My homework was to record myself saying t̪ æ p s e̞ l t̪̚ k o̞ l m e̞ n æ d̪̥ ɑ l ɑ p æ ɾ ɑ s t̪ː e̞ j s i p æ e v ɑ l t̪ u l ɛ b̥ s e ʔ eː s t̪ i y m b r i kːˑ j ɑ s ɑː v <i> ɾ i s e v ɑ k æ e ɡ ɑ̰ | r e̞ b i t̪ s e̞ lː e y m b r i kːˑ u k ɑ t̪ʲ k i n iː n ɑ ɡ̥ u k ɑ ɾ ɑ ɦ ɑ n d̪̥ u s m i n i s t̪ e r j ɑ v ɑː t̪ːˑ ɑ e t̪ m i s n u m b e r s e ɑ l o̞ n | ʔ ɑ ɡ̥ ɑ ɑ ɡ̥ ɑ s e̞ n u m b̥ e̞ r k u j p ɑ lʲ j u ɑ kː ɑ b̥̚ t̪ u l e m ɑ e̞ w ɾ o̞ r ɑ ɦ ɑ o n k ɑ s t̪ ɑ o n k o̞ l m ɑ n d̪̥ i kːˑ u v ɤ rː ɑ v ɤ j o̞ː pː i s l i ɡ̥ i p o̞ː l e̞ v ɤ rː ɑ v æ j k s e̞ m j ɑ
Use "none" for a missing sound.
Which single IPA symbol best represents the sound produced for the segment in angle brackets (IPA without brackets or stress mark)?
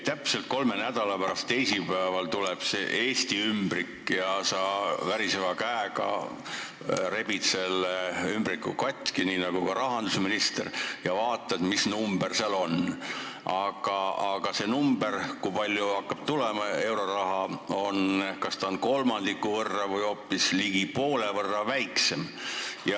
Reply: æ